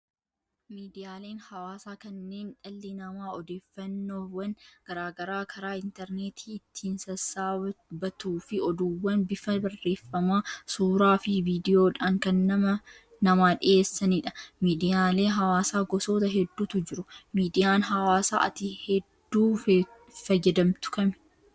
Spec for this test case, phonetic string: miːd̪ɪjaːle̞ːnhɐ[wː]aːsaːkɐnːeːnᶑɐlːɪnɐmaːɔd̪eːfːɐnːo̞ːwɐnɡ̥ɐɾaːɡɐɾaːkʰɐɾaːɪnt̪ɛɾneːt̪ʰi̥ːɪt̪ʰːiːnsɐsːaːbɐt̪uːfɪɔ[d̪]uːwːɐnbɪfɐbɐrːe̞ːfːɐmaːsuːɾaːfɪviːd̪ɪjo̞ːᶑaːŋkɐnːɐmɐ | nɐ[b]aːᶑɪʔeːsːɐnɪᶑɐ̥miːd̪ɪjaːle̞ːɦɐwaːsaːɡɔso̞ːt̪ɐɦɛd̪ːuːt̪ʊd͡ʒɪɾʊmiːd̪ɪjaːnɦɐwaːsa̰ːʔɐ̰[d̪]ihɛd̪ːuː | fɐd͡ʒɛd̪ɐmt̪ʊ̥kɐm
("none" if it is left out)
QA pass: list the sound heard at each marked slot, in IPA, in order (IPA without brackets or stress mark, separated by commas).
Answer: w, d̪, m, t̪